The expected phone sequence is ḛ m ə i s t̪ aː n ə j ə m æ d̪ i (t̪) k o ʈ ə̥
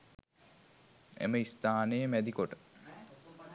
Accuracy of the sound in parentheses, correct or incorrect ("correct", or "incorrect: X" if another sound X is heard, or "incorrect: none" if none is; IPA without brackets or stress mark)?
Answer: incorrect: none